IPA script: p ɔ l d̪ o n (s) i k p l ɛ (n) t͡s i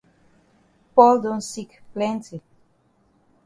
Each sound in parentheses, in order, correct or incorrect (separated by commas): correct, correct